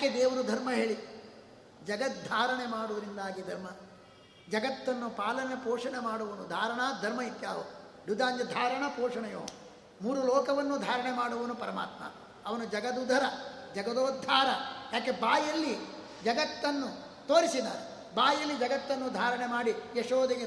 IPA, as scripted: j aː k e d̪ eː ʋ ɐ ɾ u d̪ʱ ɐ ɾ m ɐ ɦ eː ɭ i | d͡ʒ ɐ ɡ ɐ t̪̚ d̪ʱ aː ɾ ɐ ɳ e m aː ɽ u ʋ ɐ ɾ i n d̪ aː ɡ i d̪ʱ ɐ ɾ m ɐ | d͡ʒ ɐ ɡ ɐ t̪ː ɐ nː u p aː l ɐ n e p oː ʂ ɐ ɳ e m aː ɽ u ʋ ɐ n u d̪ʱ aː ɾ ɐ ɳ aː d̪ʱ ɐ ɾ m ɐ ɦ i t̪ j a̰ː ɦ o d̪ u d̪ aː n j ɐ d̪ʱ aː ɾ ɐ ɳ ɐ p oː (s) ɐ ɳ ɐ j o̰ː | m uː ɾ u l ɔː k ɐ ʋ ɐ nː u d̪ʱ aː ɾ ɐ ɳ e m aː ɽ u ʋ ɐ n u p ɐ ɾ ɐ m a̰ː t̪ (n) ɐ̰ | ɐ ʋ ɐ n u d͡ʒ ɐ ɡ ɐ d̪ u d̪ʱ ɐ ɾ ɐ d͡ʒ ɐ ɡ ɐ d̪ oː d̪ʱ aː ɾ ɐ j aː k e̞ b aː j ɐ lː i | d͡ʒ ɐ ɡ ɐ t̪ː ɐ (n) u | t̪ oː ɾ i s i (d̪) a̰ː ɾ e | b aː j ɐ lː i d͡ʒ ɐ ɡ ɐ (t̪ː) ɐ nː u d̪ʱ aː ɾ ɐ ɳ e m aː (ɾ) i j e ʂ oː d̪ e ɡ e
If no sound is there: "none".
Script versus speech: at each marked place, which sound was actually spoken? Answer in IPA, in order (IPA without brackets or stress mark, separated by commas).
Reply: ʂ, m, nː, d̪, t̪ː, ɽ